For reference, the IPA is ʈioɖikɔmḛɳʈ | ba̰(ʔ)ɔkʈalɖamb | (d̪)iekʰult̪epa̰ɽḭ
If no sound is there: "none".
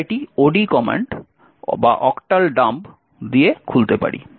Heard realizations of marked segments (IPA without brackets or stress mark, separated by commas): ʔ, d̪